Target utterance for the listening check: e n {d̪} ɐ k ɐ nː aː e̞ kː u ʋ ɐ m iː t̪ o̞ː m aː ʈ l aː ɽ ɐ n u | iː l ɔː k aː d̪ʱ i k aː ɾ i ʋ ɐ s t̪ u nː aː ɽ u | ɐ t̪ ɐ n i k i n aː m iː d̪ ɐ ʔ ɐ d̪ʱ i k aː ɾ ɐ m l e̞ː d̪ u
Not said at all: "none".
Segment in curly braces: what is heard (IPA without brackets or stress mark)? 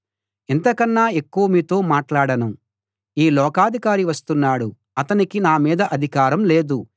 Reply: t̪